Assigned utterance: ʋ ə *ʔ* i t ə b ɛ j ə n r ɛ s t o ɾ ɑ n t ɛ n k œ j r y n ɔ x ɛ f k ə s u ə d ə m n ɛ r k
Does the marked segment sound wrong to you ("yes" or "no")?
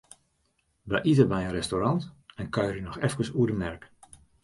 no